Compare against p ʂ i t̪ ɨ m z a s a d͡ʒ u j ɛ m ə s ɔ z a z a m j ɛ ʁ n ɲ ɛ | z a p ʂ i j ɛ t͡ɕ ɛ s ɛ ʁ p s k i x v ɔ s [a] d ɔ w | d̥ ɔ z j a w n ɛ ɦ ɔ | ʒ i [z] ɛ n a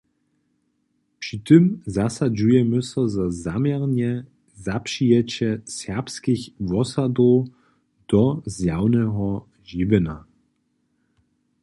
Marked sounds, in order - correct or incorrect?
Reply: correct, incorrect: v

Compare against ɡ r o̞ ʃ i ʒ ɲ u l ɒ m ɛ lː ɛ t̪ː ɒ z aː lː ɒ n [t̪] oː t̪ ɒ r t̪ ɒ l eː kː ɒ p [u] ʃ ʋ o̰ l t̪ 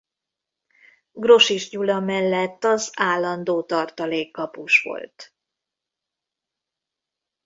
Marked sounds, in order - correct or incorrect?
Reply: incorrect: d̪, correct

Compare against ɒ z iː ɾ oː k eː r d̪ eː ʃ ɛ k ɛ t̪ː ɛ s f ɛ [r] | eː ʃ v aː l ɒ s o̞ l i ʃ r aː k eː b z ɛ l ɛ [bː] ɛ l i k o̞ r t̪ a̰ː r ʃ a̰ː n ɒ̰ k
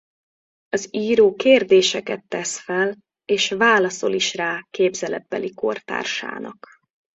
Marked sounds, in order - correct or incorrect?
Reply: incorrect: l, correct

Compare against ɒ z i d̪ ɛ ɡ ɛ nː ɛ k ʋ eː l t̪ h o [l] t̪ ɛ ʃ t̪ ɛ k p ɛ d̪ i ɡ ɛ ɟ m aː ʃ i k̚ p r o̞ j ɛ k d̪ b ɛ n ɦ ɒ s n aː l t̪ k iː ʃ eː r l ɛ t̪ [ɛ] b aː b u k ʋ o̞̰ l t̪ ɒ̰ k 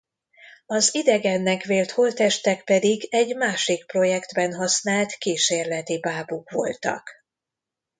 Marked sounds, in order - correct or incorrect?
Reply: correct, incorrect: i

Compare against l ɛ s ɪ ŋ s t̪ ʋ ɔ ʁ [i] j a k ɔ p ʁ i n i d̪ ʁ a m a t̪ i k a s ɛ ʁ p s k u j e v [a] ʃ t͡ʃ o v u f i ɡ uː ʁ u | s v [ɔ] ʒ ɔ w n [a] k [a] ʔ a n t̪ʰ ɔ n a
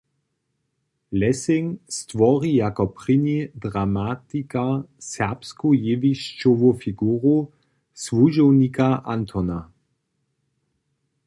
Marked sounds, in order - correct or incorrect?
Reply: correct, incorrect: i, incorrect: u, incorrect: i, correct

